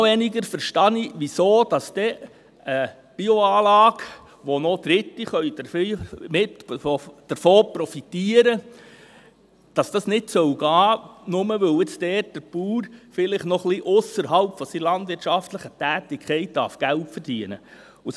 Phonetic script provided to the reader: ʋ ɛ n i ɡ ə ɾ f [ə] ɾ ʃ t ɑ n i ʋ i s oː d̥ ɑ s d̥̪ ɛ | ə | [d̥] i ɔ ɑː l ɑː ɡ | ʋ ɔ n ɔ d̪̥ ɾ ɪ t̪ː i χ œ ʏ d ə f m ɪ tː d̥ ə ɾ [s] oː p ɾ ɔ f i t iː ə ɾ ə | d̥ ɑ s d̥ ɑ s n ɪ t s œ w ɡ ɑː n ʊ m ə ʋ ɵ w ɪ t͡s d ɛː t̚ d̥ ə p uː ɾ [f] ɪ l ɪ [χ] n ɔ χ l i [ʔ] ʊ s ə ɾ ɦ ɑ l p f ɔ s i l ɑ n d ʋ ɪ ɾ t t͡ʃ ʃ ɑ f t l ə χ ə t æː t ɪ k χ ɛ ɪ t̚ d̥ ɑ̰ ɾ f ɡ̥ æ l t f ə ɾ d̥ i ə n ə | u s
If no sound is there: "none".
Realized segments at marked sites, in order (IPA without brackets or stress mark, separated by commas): ə, b̥, f, f, χ, ʔ